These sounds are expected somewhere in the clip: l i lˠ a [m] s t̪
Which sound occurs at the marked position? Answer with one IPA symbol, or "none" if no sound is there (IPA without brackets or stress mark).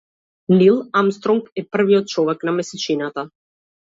m